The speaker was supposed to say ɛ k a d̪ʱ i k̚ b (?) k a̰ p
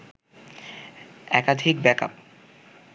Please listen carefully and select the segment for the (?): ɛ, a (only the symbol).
ɛ